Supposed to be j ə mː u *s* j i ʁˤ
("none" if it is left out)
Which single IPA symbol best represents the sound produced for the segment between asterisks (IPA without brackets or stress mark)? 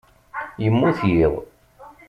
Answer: θ